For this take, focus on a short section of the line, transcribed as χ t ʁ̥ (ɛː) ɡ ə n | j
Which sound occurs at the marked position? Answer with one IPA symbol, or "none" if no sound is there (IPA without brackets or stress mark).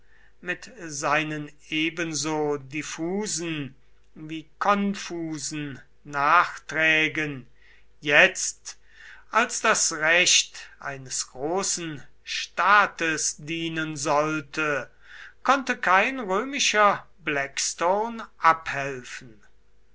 ɛː